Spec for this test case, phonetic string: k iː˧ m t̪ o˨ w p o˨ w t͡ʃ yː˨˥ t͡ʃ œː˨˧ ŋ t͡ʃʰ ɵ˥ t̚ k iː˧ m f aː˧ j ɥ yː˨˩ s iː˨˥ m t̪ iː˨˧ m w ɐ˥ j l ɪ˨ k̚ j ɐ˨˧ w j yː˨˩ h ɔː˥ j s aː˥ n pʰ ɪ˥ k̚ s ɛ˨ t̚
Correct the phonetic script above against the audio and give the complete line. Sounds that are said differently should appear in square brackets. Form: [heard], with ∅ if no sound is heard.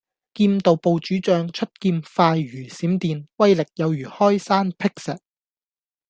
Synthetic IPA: k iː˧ m t̪ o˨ w p o˨ w t͡ʃ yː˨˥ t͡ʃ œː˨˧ ŋ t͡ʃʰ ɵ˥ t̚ k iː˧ m f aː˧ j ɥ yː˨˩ s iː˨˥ m t̪ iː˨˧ [n] w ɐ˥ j l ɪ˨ k̚ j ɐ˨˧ w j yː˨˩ h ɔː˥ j s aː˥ n pʰ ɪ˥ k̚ s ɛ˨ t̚